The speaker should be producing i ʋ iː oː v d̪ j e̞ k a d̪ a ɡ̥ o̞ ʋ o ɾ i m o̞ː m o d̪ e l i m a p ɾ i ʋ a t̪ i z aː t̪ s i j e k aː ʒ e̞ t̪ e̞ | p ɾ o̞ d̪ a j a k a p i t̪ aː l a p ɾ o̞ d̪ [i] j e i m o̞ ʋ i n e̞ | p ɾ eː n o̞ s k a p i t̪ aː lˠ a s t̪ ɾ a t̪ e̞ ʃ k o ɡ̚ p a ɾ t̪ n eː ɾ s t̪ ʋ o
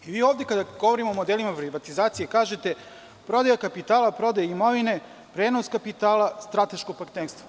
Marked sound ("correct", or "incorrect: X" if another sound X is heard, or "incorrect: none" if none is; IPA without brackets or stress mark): incorrect: a